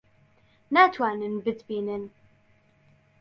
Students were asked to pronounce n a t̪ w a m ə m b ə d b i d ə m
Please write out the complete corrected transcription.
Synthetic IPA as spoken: n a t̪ w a n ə n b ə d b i n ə n